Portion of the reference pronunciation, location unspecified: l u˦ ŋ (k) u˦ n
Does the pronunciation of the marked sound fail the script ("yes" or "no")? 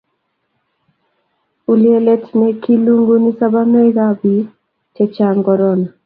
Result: yes